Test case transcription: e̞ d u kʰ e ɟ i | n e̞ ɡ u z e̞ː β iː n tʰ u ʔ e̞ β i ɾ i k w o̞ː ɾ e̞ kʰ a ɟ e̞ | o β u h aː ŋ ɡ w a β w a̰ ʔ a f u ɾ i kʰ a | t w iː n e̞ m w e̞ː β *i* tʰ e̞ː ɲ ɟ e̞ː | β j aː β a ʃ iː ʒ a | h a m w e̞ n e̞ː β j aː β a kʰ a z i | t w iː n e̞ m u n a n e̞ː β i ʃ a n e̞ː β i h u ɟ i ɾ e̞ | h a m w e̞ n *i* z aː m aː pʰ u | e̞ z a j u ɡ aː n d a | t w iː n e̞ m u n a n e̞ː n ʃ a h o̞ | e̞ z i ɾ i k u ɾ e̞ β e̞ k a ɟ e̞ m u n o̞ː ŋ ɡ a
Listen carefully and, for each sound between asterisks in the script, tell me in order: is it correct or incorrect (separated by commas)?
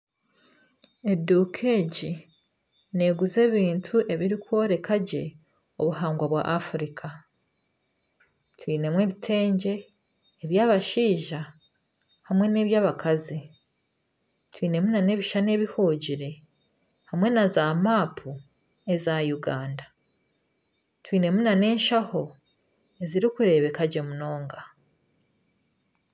correct, incorrect